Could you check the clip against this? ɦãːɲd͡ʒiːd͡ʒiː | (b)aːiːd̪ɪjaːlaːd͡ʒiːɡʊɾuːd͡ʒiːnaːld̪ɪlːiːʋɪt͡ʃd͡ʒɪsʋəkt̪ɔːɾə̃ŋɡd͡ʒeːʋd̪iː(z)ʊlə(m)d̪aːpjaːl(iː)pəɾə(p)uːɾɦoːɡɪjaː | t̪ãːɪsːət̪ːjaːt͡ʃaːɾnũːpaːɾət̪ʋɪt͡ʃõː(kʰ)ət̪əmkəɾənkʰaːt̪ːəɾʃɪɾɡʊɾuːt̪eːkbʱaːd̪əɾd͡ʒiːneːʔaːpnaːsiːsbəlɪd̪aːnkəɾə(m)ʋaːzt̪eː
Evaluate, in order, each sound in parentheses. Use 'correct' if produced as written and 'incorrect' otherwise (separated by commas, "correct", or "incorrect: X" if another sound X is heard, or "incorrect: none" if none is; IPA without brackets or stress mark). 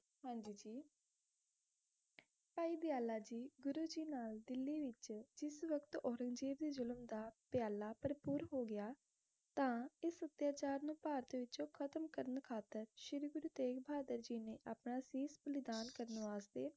incorrect: p, correct, correct, incorrect: aː, correct, correct, incorrect: n